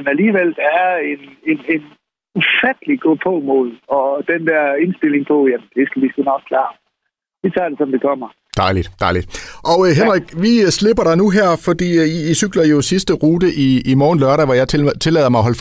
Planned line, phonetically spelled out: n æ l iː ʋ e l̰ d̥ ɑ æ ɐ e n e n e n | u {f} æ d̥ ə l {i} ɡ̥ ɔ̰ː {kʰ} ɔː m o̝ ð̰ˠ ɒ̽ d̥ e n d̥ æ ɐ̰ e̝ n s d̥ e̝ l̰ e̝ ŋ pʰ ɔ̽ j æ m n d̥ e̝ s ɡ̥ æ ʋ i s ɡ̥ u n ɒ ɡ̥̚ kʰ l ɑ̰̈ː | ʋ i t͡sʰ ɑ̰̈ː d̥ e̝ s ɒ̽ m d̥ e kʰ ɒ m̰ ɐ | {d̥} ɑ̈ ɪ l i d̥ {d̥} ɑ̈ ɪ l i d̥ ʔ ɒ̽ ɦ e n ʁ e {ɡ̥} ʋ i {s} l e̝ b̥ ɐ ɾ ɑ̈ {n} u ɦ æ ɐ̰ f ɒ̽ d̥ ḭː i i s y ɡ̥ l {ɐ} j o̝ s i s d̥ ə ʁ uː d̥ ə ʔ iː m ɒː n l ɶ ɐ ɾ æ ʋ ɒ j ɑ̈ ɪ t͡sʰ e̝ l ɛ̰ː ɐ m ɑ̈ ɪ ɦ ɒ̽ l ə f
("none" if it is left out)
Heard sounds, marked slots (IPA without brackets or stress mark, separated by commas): f, i, pʰ, d̥, d̥, ɡ̥, s, n, ɐ